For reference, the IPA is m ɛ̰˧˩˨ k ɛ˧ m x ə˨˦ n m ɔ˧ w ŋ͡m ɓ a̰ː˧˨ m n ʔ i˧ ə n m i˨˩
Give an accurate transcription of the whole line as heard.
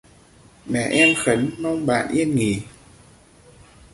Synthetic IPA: m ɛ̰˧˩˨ ʔ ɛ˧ m x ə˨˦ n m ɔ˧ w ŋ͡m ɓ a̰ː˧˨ n ʔ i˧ ə n ŋ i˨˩